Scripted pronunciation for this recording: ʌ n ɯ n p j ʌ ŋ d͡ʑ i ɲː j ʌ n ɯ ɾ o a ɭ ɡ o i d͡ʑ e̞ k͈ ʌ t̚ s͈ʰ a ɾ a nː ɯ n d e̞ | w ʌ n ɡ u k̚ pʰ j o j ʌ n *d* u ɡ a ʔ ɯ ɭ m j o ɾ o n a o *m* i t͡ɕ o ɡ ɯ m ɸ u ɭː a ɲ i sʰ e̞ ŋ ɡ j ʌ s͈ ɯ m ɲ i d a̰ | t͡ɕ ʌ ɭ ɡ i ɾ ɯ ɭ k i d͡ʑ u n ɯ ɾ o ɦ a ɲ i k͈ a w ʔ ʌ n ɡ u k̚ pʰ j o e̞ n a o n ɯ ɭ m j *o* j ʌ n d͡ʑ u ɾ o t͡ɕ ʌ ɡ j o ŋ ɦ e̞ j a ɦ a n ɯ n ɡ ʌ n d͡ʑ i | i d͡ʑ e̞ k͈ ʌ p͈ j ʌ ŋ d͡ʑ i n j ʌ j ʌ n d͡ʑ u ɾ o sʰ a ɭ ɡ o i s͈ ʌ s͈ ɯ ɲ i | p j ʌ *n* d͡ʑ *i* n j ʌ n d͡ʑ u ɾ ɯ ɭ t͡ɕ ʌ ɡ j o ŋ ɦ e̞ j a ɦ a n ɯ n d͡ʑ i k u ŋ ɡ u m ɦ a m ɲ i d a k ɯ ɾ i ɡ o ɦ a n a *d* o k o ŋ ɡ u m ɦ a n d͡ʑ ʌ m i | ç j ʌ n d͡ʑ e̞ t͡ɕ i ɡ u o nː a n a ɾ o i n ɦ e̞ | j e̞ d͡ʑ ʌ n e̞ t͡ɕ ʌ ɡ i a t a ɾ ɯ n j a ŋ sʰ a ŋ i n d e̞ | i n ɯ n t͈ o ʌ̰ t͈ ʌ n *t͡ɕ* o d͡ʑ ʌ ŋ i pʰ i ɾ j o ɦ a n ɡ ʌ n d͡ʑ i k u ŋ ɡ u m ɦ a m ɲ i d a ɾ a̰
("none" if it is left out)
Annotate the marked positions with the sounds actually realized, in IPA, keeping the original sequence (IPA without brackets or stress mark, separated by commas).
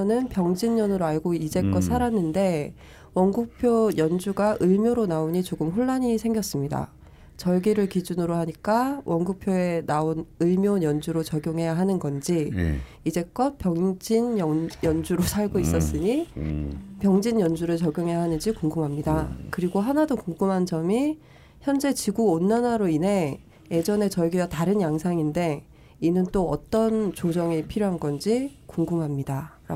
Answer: d͡ʑ, ɲ, o, ŋ, i, d, t͡ɕ